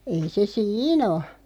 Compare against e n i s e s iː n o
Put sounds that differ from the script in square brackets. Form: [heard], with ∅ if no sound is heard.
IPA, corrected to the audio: e [∅] i s e s iː n o